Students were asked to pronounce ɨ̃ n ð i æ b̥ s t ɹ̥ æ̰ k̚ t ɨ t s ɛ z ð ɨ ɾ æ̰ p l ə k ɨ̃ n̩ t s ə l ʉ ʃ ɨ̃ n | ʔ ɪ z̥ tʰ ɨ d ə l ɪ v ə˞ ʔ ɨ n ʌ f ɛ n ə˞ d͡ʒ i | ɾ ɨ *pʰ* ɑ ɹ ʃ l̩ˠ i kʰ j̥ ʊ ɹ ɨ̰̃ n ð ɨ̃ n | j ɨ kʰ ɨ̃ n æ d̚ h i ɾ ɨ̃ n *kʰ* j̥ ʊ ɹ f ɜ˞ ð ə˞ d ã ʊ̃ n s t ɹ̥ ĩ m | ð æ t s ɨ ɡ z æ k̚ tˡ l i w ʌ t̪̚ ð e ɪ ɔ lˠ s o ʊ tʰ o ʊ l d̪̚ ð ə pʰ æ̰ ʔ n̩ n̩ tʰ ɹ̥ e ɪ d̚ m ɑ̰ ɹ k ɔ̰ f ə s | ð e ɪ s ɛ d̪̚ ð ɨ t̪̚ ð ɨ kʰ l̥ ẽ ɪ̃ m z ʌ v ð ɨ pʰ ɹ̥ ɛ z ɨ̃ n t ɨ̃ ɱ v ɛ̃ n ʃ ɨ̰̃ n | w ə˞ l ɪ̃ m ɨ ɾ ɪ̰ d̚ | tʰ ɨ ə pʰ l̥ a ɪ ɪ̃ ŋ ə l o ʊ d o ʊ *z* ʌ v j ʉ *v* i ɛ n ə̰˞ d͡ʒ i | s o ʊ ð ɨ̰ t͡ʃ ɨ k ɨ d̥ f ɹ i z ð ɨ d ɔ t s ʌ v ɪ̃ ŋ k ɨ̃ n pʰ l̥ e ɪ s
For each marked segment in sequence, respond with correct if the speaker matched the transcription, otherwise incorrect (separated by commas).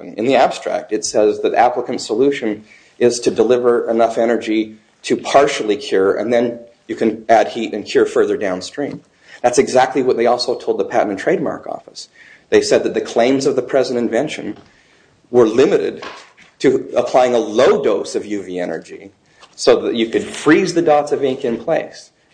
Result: correct, correct, incorrect, correct